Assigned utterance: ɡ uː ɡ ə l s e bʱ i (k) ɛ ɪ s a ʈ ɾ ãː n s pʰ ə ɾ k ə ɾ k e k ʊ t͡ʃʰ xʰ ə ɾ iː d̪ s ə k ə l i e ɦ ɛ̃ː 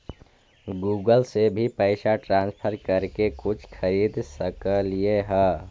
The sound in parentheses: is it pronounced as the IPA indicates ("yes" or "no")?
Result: no